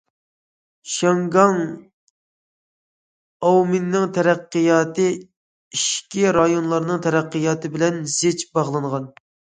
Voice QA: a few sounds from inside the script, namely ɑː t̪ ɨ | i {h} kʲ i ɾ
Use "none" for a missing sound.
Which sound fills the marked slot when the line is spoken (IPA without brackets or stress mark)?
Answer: ʃ